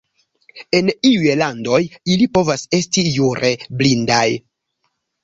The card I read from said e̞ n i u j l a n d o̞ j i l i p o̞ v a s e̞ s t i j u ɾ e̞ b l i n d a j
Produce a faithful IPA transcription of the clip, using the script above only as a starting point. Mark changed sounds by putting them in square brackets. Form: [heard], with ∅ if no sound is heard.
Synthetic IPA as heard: e̞ n i u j l a n d o̞ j i l i p o̞ v a s e̞ s t i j u ɾ e̞ b l i n d a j

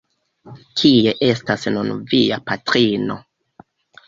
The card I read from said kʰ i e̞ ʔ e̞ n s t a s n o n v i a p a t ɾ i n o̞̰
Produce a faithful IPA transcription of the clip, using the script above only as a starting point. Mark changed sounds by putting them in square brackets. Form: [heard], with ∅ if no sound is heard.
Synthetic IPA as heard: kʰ i e̞ ʔ e̞ [∅] s t a s n [u] n v i a p a t ɾ i n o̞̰

